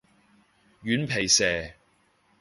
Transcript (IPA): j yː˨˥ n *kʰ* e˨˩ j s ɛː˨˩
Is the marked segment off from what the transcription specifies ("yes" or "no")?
yes